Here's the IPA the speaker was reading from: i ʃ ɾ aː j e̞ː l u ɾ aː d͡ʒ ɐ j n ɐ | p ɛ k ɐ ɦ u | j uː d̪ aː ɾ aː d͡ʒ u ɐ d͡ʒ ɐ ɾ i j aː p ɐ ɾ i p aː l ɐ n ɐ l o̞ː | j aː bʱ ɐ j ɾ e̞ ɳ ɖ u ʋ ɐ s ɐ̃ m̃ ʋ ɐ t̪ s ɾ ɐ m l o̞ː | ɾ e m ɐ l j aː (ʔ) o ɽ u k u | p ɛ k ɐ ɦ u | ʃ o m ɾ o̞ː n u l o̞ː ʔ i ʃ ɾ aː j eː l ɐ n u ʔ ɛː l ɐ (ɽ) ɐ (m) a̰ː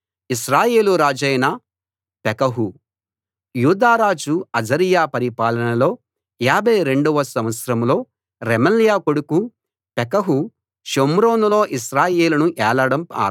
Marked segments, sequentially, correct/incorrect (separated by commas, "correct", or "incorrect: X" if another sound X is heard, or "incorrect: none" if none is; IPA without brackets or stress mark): incorrect: k, correct, correct